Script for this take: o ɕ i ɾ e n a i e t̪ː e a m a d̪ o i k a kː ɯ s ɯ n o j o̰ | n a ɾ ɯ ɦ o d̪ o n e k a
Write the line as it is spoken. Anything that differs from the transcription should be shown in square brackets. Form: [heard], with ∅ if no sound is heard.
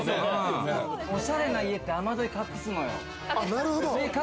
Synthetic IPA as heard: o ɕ [a] ɾ e n a i e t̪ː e a m a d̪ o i k a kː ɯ s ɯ n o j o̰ | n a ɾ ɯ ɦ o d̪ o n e k a